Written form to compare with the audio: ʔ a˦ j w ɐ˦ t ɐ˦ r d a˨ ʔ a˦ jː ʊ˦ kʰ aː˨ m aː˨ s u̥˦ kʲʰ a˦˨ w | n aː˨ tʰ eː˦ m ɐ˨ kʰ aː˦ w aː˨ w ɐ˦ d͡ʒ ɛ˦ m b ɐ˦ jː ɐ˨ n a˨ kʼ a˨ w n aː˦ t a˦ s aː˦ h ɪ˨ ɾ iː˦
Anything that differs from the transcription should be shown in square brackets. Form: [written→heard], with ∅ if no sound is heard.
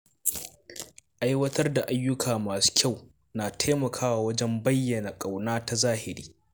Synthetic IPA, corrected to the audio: ʔ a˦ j w ɐ˦ t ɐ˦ r d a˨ ʔ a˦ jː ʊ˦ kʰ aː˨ m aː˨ s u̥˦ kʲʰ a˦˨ w | n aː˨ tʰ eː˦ m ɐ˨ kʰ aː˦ w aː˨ w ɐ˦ d͡ʒ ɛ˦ m b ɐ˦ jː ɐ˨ n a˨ kʼ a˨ w n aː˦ t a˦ [s→z] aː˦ h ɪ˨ ɾ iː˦